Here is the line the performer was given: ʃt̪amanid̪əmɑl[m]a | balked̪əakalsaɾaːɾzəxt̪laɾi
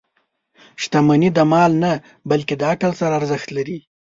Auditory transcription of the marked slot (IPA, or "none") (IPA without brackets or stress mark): n